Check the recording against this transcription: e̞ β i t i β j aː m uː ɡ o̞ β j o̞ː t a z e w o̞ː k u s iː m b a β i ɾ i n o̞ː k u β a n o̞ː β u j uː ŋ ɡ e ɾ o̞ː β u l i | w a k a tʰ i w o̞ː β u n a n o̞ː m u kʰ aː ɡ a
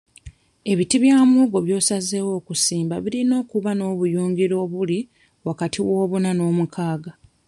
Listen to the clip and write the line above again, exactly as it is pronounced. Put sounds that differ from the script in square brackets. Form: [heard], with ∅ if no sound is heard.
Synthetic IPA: e̞ β i t i β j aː m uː ɡ o̞ β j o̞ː [s] a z e w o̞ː k u s iː m b a β i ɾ i n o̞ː k u β a n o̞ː β u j uː ŋ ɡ [i] ɾ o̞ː β u l i | w a k a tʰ i w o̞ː β u n a n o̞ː m u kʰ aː ɡ a